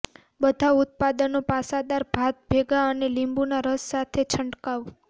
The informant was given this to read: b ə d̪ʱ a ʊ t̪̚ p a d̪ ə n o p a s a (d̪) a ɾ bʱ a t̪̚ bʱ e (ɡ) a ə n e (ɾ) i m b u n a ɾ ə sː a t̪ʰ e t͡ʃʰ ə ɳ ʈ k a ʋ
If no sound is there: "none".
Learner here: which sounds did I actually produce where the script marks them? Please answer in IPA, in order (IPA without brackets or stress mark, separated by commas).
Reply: d̪, ɡ, l